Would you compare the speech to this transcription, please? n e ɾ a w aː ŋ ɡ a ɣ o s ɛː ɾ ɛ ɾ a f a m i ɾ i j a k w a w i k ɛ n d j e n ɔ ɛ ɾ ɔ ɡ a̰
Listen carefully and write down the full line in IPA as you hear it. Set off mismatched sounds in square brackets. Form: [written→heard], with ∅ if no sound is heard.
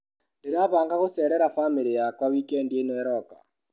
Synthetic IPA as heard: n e ɾ a [w→β] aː ŋ ɡ a ɣ o s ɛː ɾ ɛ ɾ a f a m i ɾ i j a k w a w i k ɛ n d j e n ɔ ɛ ɾ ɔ [ɡ→k] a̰